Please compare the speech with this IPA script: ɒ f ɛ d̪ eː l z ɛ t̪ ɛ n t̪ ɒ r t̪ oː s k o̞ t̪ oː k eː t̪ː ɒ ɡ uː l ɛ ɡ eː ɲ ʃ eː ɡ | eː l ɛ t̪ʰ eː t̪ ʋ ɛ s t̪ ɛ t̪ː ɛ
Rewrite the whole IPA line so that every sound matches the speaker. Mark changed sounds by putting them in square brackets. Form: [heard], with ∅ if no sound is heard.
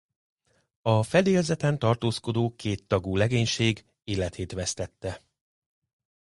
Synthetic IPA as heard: ɒ f ɛ d̪ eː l z ɛ t̪ ɛ n t̪ ɒ r t̪ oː s k o̞ [d̪] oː k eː t̪ː ɒ ɡ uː l ɛ ɡ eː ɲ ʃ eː ɡ | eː l ɛ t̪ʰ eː t̪ ʋ ɛ s t̪ ɛ t̪ː ɛ